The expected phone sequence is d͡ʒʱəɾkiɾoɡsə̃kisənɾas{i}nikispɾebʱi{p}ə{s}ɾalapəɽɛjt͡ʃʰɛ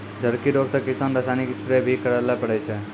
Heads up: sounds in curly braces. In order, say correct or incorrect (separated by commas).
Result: incorrect, incorrect, incorrect